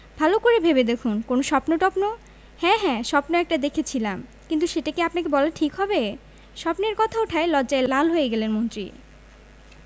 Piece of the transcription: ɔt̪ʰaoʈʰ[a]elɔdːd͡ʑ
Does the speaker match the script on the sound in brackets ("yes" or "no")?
yes